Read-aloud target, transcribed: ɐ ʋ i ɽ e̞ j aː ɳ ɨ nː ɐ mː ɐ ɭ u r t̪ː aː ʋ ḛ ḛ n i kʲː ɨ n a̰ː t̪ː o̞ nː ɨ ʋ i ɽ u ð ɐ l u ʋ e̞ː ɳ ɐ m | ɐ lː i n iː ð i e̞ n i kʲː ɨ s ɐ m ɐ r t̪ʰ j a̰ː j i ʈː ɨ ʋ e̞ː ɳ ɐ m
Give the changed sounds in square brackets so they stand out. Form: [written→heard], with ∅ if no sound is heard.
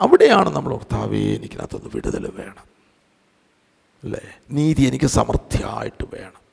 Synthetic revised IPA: ɐ ʋ i ɽ e̞ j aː ɳ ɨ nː ɐ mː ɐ ɭ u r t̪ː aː ʋ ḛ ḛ n i kʲː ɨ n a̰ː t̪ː o̞ nː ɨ ʋ i ɽ u ð ɐ l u ʋ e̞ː ɳ ɐ m | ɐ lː [i→e] n iː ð i e̞ n i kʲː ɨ s ɐ m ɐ r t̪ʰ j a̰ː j i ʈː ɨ ʋ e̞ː ɳ ɐ m